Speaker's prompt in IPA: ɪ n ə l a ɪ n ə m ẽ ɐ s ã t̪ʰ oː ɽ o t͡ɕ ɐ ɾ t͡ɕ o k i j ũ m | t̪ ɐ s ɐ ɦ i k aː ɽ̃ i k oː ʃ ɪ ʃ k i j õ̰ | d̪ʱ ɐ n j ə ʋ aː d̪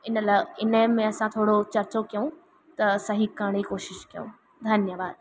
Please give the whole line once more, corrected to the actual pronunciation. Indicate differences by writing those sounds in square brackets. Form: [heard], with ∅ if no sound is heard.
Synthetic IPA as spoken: ɪ n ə l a ɪ n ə m ẽ ɐ s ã t̪ʰ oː ɽ o t͡ɕ ɐ ɾ t͡ɕ o k i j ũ [∅] | t̪ ɐ s ɐ ɦ i k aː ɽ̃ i k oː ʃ ɪ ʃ k i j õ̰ | d̪ʱ ɐ n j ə ʋ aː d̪